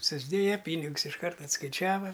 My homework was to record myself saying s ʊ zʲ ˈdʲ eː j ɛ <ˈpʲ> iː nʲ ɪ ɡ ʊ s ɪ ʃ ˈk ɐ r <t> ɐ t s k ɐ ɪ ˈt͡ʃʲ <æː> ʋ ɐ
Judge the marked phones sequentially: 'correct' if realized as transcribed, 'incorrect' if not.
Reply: correct, correct, correct

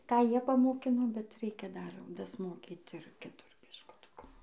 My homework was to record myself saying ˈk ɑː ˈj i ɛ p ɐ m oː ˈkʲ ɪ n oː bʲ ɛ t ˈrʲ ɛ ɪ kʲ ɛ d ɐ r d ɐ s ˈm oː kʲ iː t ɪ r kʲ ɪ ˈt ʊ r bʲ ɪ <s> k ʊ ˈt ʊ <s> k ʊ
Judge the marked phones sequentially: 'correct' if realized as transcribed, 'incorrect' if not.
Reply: incorrect, incorrect

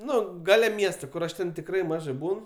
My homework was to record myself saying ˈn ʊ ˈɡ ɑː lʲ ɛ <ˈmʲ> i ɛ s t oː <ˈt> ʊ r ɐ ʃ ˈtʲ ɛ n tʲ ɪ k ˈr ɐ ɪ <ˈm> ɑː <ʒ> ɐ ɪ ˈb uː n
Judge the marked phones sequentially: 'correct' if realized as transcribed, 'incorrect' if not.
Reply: correct, incorrect, correct, correct

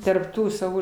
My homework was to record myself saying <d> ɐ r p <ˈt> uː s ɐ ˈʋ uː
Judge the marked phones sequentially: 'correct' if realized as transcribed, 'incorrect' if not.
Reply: incorrect, correct

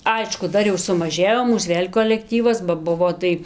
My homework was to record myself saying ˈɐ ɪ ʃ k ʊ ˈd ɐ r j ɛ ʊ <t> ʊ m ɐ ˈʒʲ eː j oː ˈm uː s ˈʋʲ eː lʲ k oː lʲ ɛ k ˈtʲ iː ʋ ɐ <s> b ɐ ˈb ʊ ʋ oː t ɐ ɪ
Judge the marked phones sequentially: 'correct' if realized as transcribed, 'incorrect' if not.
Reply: incorrect, correct

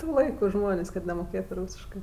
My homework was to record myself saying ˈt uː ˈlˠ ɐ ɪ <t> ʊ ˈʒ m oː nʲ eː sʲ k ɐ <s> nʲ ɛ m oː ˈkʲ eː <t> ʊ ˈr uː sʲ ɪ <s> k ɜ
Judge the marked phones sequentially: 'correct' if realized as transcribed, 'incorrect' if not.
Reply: incorrect, incorrect, correct, incorrect

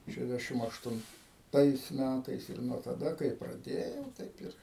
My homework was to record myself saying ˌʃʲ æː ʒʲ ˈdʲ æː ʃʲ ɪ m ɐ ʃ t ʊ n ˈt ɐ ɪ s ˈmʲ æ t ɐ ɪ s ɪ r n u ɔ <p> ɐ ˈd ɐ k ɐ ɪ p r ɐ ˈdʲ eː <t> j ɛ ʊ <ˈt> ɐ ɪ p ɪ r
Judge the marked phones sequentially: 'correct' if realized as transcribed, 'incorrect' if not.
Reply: incorrect, incorrect, correct

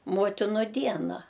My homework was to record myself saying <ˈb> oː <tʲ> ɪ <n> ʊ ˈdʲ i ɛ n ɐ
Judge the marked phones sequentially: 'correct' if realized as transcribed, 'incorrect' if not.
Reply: incorrect, correct, correct

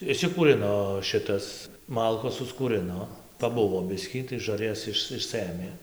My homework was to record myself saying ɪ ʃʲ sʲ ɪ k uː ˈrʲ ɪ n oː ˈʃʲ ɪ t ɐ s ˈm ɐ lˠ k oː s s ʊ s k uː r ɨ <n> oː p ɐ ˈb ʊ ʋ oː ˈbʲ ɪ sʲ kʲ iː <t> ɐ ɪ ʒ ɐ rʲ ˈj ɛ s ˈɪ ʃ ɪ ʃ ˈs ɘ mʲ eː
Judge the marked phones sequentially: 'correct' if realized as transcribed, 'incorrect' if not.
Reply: correct, correct

